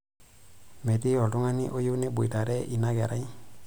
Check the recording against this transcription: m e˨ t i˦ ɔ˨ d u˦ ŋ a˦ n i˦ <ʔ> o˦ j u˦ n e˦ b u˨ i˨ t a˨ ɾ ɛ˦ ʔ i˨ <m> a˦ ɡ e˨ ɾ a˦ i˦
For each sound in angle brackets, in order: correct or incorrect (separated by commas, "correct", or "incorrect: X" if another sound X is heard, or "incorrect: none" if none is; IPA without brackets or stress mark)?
correct, incorrect: n